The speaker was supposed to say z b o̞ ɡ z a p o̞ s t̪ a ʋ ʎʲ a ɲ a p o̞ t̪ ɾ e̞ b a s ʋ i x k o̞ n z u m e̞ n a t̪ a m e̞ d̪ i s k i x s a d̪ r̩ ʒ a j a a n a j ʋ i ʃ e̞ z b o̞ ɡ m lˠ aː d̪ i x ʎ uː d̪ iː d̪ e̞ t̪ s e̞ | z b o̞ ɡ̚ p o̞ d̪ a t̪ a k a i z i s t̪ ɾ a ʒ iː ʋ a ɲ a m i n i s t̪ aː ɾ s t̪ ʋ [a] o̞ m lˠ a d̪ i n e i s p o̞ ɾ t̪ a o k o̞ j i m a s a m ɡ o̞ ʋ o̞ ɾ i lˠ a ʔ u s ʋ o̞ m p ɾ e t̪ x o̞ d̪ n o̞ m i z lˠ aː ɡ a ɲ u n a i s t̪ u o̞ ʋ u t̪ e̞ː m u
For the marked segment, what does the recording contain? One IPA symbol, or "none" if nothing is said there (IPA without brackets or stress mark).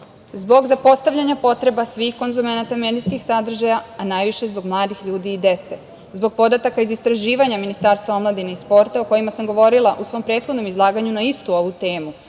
a